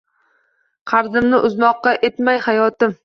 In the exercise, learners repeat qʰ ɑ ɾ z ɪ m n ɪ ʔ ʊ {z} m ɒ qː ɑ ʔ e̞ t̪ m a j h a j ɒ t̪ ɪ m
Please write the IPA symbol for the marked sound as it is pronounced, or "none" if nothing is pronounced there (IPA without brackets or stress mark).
z